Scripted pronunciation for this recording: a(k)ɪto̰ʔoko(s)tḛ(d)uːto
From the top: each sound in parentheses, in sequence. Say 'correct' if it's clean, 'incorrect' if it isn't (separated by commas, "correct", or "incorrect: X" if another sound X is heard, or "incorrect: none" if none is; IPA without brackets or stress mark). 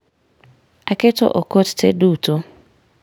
correct, incorrect: t, correct